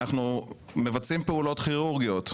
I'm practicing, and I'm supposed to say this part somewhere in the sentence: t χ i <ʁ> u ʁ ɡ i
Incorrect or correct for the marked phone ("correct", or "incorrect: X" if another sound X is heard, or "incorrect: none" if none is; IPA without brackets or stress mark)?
correct